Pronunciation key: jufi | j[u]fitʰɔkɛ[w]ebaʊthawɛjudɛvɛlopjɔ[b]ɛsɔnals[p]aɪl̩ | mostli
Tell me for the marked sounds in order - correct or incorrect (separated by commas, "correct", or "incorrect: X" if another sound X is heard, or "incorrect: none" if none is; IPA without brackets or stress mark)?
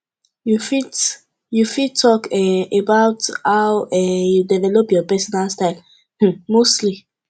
correct, incorrect: none, incorrect: p, incorrect: t